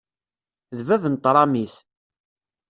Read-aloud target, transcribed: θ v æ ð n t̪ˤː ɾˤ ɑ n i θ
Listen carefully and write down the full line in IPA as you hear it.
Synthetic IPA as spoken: ð v æ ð n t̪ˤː ɾˤ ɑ m i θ